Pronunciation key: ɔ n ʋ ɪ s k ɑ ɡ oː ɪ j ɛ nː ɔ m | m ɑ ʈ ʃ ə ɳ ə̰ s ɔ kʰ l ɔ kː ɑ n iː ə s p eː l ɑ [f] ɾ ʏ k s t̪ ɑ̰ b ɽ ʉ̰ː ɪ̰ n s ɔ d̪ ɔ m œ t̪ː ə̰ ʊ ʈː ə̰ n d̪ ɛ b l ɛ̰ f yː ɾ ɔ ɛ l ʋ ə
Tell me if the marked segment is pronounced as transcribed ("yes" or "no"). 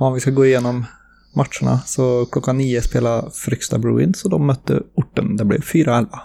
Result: yes